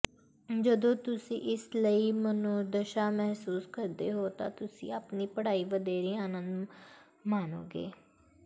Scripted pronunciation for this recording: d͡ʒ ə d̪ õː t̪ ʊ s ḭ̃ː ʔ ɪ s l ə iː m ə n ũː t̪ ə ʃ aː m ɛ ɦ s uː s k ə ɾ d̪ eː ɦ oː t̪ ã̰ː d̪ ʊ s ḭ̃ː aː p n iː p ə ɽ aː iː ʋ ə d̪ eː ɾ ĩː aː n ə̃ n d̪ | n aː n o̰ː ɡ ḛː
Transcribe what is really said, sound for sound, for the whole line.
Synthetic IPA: d͡ʒ ə d̪ õː t̪ ʊ s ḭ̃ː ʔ ɪ s l ə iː m ə n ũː d̪ ə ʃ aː m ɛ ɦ s uː s k ə ɾ d̪ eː ɦ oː t̪ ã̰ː t̪ ʊ s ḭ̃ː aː p n iː p ə ɽ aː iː ʋ ə d̪ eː ɾ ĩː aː n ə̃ n d̪ | m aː n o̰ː ɡ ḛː